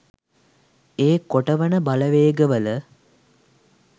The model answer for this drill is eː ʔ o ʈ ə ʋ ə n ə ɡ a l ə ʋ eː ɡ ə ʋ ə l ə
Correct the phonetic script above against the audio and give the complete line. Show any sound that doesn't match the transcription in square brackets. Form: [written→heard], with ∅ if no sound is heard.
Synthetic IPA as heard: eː [ʔ→k] o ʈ ə ʋ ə n ə [ɡ→b] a l ə ʋ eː ɡ ə ʋ ə l ə